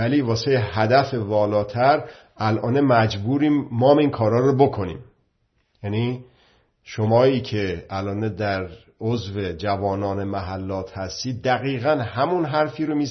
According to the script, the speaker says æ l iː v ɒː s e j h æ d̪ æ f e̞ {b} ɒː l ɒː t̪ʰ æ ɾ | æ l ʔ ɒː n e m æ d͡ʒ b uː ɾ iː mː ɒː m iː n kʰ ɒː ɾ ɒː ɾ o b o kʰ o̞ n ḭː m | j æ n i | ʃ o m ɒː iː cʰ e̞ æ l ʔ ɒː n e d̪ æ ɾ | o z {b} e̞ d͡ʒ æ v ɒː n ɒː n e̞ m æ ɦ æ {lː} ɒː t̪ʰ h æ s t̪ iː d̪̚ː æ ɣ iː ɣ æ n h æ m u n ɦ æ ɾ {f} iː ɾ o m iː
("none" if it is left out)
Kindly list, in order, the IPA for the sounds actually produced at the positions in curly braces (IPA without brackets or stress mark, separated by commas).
v, v, lː, f